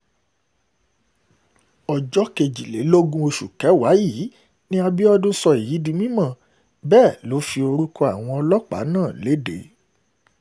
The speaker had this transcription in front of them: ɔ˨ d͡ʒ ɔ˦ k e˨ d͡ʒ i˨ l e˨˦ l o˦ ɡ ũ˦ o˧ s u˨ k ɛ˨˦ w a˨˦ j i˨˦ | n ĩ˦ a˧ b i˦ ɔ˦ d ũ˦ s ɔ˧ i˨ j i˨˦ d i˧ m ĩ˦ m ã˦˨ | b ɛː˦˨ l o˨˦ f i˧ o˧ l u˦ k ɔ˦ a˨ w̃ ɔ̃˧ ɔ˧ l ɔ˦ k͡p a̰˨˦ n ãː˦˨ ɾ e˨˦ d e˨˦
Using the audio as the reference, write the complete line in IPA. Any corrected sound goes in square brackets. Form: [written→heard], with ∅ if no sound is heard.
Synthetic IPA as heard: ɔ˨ d͡ʒ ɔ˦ k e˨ d͡ʒ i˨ l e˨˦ l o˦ ɡ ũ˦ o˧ [s→ʃ] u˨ k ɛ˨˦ w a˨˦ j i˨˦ | n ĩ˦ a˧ b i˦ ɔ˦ d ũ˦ s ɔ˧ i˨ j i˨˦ d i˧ m ĩ˦ m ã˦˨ | b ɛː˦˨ l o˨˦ f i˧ o˧ [l→ɾ] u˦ k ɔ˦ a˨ w̃ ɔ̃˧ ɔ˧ l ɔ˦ k͡p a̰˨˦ n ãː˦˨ [ɾ→l] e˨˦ d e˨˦